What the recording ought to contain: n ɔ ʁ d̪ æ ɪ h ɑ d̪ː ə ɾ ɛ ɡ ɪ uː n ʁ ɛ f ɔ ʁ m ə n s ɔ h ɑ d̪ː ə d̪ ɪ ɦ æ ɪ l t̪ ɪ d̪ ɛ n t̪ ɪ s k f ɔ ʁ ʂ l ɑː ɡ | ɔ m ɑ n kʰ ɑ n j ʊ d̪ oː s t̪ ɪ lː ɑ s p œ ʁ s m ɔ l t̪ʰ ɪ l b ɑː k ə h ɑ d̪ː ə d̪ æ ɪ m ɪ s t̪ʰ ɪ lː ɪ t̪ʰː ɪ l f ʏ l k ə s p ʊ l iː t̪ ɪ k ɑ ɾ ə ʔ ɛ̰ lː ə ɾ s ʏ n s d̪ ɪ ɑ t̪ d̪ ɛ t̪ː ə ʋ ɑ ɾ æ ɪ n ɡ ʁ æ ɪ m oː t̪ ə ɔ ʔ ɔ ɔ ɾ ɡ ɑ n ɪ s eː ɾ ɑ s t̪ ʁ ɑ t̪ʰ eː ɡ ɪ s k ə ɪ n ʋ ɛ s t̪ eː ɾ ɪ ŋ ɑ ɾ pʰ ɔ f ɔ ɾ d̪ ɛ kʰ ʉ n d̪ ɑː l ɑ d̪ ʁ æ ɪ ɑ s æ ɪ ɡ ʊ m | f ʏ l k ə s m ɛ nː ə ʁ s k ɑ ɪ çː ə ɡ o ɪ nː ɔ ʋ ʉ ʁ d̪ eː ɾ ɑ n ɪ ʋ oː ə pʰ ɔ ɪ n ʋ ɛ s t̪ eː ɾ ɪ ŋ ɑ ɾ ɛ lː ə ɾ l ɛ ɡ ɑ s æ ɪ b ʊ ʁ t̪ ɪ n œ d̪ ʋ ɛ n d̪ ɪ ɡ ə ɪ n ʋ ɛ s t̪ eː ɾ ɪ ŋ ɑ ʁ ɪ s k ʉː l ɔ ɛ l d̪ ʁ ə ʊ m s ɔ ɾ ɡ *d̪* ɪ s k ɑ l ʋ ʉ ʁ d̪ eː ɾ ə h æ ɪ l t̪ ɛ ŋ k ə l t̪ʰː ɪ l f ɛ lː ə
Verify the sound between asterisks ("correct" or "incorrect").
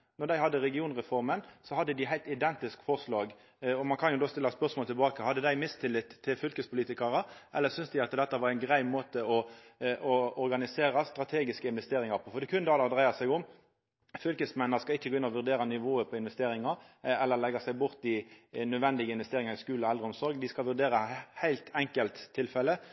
correct